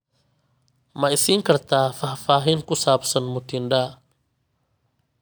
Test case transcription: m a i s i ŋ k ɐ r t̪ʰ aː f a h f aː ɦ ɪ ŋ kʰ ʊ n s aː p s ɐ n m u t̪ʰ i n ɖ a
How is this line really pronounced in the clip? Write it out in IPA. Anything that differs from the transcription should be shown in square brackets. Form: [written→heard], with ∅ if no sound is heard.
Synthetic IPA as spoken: m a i s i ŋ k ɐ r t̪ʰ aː f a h f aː ɦ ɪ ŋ [kʰ→k] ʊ [n→∅] s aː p s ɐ n m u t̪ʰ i n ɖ a